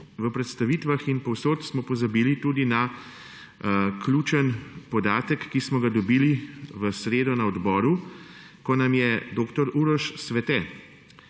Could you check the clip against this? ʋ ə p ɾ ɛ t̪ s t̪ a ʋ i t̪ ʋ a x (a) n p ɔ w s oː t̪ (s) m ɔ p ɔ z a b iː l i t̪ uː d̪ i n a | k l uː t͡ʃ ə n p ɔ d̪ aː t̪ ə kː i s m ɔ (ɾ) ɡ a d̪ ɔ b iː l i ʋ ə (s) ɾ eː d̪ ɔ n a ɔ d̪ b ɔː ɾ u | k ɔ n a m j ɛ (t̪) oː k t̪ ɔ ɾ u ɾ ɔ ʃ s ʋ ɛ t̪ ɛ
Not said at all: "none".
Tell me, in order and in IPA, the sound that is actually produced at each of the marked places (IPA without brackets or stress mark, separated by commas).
i, s, none, s, d̪